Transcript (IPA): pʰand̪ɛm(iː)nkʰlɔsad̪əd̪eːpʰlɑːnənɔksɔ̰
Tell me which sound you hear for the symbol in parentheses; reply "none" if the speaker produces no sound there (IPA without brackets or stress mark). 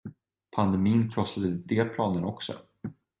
iː